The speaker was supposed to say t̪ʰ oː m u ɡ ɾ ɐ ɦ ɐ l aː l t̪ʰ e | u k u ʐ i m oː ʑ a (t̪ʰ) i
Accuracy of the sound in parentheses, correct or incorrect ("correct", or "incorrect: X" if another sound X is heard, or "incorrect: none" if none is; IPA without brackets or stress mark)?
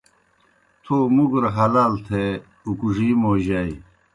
incorrect: none